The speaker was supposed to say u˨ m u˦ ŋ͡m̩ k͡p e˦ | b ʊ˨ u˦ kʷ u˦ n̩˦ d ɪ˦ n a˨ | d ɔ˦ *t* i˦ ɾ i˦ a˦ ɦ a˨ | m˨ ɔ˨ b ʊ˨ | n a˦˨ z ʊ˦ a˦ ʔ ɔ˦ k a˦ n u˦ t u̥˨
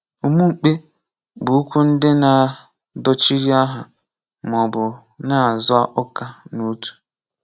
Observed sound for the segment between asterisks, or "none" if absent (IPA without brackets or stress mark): t͡ʃ